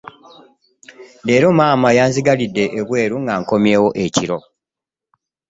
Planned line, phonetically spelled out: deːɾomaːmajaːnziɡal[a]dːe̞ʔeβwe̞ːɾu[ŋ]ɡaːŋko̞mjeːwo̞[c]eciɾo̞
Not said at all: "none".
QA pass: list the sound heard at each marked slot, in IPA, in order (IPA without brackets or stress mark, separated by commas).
i, ŋ, ʔ